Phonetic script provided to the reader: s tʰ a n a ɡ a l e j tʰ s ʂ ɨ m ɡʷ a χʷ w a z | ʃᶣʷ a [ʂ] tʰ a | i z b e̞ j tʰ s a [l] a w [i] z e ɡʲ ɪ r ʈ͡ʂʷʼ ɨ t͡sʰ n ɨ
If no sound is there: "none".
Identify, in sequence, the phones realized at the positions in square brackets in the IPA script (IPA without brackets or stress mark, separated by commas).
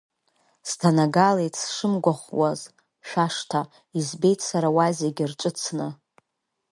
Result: ʂ, ɾ, a